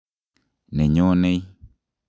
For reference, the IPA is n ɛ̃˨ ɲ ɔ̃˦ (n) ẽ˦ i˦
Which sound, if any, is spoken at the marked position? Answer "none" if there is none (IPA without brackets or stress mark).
n